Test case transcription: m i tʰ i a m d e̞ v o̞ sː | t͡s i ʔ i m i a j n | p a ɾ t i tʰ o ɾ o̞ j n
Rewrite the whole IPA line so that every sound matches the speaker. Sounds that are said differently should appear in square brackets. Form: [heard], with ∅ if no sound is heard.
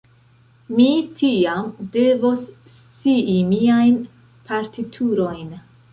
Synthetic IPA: m i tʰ i a m d e̞ v o̞ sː | t͡s i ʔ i m i a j n | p a ɾ t i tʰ [u] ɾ o̞ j n